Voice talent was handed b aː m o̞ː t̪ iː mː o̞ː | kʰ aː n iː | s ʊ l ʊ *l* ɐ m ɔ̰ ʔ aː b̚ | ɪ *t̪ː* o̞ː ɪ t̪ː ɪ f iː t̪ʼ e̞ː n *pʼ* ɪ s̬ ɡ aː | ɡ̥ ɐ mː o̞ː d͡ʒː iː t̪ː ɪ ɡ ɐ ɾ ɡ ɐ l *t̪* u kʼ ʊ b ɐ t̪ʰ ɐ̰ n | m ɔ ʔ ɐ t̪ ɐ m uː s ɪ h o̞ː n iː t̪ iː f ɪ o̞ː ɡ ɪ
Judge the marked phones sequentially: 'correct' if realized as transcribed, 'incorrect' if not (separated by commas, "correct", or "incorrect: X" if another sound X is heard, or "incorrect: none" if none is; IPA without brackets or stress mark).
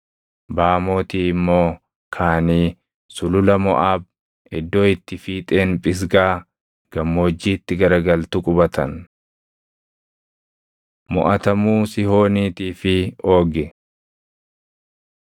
correct, incorrect: d̪ː, correct, correct